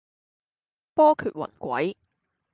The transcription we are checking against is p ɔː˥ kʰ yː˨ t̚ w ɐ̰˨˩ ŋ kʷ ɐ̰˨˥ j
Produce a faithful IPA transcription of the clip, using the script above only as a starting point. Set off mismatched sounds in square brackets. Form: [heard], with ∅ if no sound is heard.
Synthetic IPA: p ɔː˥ kʰ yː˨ t̚ w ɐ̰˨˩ [n] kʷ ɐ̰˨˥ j